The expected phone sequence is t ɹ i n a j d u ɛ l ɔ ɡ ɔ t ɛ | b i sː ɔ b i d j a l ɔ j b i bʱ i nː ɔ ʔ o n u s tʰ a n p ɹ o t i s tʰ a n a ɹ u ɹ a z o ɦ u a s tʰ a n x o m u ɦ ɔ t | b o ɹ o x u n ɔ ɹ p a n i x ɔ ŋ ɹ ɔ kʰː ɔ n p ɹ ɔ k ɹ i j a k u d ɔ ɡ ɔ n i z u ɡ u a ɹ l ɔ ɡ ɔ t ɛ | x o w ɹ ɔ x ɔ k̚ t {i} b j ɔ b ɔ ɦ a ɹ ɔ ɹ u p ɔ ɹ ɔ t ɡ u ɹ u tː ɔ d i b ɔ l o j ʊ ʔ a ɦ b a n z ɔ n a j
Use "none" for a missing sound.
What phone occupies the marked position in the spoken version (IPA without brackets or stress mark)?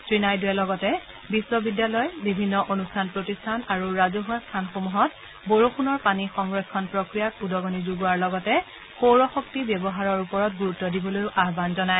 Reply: i